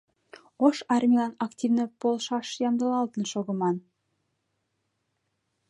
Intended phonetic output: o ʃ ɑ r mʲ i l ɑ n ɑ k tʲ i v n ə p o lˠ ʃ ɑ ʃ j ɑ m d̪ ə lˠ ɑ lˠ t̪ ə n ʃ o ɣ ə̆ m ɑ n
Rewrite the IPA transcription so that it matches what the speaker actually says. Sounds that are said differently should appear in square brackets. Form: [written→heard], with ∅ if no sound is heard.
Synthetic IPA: o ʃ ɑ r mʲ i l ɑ n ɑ k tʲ i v n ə p o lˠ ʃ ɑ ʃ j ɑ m d̪ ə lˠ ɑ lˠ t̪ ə n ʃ o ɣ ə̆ m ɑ n